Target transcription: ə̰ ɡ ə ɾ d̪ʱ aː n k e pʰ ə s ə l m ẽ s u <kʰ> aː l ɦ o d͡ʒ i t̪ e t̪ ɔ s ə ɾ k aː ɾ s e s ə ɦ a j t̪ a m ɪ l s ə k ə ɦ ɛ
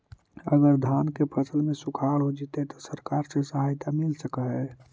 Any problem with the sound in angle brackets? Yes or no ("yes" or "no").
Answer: no